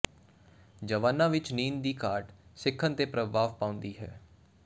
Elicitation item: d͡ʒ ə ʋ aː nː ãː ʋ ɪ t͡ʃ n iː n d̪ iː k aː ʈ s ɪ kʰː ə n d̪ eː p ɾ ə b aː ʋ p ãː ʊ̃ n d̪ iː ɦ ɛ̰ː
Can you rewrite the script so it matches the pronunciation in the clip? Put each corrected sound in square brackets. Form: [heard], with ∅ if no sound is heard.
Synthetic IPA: d͡ʒ ə ʋ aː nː ãː ʋ ɪ t͡ʃ n iː n d̪ iː k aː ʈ s ɪ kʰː ə n [t̪] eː p ɾ ə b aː ʋ p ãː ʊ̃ n d̪ iː ɦ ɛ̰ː